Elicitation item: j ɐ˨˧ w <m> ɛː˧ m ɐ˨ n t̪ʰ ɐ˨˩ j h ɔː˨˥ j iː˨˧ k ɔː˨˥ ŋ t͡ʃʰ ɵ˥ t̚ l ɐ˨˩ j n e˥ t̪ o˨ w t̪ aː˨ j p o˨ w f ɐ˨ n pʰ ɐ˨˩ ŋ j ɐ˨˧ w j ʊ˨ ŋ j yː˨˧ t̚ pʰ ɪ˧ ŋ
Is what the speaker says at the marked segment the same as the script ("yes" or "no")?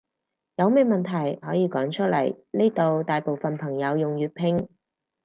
yes